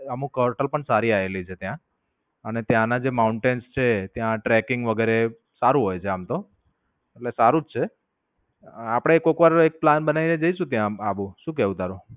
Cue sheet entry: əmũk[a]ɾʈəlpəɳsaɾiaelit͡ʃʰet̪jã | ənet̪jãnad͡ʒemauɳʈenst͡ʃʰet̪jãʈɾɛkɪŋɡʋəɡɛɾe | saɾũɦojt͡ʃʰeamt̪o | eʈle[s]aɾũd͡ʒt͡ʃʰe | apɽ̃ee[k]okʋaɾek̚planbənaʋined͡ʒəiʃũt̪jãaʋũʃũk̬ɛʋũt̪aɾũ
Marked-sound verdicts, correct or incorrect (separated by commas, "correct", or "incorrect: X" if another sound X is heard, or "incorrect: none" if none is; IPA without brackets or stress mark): incorrect: ə, correct, correct